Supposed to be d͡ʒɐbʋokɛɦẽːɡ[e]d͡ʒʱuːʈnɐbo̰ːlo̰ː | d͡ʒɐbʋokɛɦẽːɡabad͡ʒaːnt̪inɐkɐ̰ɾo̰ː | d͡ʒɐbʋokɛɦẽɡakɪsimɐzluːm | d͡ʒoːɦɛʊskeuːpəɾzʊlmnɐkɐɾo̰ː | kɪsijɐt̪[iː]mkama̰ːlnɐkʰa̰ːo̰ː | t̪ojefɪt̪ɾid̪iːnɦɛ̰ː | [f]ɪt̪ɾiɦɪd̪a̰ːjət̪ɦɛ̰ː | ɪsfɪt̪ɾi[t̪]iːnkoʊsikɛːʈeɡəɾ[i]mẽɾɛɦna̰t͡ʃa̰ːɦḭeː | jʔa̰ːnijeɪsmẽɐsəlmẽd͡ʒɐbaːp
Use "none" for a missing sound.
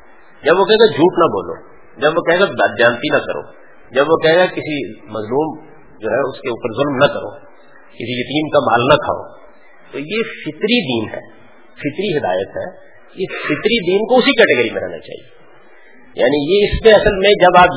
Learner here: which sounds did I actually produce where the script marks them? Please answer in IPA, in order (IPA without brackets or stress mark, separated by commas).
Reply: a, iː, f, d̪, i